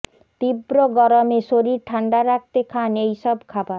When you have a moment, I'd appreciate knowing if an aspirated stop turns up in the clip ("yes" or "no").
yes